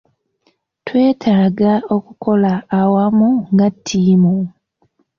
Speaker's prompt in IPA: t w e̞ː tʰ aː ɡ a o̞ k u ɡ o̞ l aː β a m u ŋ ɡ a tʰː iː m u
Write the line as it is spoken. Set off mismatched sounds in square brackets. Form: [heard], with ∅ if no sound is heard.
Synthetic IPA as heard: t w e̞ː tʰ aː ɡ a o̞ k u [k] o̞ l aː [w] a m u ŋ ɡ a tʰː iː m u